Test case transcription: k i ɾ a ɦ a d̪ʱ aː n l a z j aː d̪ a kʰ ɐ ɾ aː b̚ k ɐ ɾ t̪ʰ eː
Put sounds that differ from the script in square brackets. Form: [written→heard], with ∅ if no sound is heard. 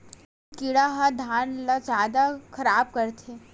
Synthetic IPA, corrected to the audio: k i [ɾ→ɽ] a ɦ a d̪ʱ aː n l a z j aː d̪ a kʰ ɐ ɾ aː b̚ k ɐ ɾ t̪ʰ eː